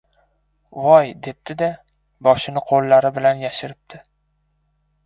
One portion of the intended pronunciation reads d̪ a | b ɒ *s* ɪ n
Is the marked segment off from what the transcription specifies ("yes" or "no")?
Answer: yes